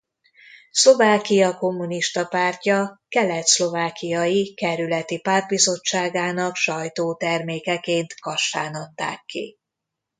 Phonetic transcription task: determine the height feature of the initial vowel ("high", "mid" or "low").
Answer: mid